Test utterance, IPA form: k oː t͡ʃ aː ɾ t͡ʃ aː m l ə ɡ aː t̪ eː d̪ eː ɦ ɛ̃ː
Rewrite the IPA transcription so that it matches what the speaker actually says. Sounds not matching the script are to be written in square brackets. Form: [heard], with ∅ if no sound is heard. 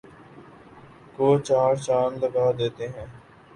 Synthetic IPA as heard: k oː t͡ʃ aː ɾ t͡ʃ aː [n] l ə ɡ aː [d̪] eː [t̪] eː ɦ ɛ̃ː